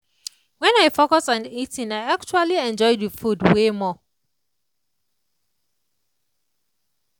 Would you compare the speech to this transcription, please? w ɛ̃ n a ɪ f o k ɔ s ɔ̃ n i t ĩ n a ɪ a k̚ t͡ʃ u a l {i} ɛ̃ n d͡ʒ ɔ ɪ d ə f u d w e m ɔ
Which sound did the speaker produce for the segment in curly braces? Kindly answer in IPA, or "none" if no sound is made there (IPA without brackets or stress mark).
i